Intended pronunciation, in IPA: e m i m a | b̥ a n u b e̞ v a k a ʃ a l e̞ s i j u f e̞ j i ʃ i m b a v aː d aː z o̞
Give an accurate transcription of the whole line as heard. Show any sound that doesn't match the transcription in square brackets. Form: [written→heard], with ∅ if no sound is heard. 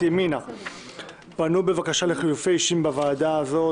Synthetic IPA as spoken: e m i [m→n] a | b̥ a n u b e̞ v a k a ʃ a l e̞ [s→χ] i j u f e̞ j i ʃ i m b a v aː d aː z o̞